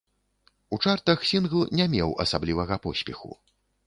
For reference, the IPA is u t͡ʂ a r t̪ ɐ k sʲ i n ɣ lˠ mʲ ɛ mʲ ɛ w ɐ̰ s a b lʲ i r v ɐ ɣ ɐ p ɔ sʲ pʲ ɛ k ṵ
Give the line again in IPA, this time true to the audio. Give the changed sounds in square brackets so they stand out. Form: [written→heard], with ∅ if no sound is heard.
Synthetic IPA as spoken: u t͡ʂ a r t̪ ɐ [k→x] sʲ i n ɣ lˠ [mʲ→nʲ] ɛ mʲ ɛ w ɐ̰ s a b lʲ i [r→∅] v ɐ ɣ ɐ p ɔ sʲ pʲ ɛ [k→x] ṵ